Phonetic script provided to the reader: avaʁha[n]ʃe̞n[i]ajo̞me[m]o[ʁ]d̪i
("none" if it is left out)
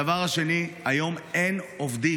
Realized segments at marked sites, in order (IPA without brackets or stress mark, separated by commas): none, i, n, v